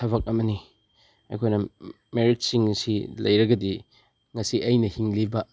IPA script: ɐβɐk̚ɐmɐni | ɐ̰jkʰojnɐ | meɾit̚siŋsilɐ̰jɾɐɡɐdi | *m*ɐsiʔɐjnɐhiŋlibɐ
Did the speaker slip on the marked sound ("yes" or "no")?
yes